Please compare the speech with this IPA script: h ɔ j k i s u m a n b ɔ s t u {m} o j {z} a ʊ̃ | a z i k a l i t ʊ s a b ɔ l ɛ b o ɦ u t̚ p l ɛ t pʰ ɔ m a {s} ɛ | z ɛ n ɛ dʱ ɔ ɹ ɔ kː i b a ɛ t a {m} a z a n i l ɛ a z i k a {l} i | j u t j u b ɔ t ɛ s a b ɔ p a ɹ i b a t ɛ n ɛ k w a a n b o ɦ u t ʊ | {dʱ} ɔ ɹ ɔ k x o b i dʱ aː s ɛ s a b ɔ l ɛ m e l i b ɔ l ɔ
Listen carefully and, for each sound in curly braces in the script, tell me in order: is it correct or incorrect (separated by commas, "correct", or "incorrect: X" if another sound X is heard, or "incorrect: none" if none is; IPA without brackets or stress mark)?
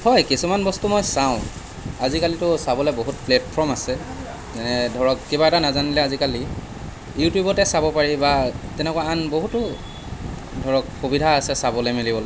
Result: correct, incorrect: s, correct, incorrect: n, correct, correct